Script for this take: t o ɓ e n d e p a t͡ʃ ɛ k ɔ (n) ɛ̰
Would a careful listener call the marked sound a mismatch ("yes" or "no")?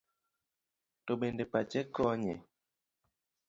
yes